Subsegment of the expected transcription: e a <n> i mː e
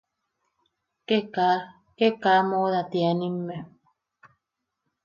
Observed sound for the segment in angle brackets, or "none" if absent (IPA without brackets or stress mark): n